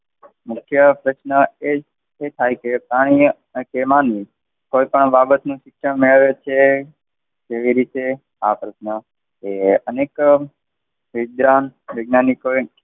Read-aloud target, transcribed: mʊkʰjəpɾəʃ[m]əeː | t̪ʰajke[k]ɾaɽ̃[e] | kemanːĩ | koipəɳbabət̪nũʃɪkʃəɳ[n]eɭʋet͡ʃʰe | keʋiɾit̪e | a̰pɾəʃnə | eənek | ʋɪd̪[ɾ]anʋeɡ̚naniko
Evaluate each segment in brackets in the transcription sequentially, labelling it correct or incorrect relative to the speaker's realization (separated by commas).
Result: incorrect, incorrect, incorrect, incorrect, correct